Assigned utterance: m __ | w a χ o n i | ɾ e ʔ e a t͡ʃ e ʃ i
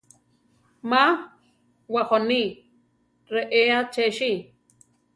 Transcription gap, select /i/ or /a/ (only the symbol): a